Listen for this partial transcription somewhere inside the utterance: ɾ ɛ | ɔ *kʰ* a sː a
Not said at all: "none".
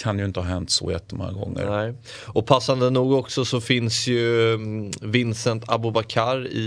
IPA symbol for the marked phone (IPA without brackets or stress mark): pʰ